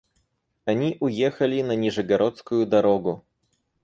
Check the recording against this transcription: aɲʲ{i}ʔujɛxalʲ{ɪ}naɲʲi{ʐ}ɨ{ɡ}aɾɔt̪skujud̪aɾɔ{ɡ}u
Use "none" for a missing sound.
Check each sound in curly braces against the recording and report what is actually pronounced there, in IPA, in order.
i, i, ʐ, ɡ, ɡ

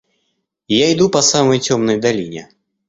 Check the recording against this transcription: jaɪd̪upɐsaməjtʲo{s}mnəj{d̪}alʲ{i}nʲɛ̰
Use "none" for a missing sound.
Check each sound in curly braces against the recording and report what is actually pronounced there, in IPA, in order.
none, d̪, i

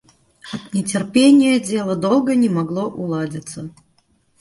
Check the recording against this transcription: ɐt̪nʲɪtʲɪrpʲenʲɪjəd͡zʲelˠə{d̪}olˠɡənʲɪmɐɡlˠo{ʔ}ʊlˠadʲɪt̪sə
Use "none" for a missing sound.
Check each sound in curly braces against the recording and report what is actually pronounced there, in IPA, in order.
d̪, ʔ

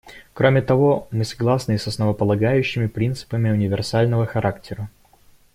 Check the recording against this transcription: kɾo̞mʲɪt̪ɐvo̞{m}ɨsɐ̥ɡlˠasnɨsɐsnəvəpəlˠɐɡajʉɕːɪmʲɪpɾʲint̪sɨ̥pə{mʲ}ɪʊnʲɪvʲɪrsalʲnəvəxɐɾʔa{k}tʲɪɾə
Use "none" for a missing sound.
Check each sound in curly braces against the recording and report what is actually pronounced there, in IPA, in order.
m, mʲ, k

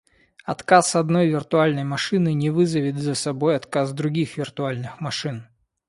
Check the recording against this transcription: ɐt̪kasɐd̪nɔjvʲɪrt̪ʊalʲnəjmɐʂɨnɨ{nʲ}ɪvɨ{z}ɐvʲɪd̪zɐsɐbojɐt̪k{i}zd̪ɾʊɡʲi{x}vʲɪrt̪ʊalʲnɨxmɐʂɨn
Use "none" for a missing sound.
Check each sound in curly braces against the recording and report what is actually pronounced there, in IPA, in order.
nʲ, z, a, x

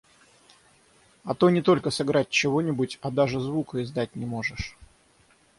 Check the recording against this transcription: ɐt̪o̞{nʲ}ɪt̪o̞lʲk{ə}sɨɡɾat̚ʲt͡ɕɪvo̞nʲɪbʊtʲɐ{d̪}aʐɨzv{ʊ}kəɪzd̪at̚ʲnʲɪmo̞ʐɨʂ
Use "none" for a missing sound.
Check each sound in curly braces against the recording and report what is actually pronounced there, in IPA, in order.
nʲ, ə, d̪, u

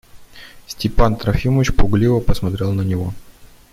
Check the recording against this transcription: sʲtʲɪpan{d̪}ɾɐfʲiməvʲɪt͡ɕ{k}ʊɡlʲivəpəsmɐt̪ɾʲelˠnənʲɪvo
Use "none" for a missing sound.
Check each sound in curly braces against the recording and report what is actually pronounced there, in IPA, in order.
t̪, p

